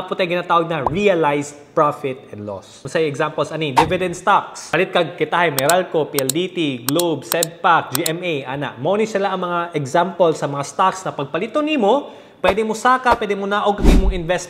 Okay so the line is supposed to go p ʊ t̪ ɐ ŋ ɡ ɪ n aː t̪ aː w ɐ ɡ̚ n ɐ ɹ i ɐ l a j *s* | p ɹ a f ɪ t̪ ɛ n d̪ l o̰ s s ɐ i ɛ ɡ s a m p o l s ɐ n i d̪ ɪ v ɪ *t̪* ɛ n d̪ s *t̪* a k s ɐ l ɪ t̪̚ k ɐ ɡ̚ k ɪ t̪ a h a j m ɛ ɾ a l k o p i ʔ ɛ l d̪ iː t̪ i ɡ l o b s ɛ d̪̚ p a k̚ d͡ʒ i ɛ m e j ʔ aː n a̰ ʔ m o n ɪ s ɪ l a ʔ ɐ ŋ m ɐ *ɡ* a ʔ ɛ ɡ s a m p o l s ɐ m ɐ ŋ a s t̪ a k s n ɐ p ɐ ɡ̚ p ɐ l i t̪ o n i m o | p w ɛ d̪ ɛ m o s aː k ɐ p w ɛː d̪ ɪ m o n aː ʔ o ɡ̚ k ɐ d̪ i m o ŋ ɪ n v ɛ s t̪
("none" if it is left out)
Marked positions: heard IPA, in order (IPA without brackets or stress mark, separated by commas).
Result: s, d̪, t̪, ŋ